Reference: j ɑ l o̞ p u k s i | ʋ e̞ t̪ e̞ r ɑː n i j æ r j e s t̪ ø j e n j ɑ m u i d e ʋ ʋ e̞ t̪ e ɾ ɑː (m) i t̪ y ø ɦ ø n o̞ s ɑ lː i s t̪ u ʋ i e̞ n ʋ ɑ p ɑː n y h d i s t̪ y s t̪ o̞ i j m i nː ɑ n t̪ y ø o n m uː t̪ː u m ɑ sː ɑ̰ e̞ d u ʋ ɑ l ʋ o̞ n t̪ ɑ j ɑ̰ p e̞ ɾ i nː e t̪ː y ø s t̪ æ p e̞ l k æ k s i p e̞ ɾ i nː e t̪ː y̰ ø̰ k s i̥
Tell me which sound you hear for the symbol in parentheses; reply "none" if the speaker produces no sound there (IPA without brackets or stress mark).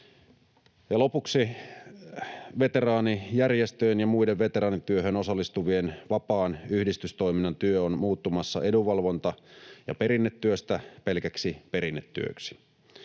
n